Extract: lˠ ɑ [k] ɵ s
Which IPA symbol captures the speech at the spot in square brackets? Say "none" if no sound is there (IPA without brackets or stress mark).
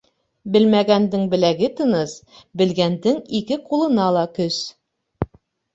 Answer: k